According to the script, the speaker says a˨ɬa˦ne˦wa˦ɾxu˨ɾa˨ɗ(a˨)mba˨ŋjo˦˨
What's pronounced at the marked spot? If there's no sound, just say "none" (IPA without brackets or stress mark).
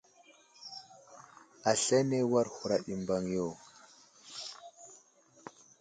i˨